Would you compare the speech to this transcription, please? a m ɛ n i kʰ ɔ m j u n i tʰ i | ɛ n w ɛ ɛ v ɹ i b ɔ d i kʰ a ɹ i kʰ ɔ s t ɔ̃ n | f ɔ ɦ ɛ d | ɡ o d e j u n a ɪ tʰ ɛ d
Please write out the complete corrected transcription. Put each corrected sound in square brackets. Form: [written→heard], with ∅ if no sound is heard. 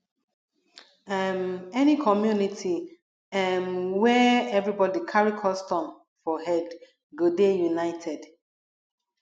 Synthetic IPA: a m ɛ n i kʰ ɔ m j u n i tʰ i | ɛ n w ɛ ɛ v ɹ i b ɔ d i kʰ a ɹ i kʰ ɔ s t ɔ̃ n | f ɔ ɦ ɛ d | ɡ o d e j u n a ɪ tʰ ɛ d